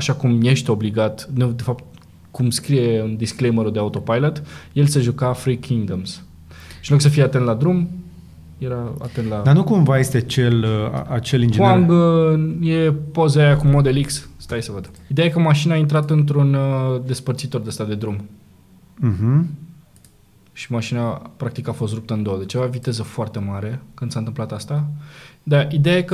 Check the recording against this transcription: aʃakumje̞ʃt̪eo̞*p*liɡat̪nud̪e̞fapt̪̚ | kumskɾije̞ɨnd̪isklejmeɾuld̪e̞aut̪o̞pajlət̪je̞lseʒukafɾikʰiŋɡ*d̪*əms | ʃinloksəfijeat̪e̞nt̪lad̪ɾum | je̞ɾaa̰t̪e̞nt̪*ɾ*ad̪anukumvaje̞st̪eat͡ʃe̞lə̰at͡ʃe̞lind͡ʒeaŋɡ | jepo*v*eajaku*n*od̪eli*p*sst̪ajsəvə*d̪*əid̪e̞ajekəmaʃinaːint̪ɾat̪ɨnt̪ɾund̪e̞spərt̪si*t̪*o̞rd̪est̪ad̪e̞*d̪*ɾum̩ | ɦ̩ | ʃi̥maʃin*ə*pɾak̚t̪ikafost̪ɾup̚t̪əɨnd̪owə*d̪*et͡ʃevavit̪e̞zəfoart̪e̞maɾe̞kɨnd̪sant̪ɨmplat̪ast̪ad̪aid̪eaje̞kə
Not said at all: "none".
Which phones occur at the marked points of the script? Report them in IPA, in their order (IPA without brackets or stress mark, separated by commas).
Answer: b, d̪, l, z, m, k, d̪, t̪, d̪, a, d̪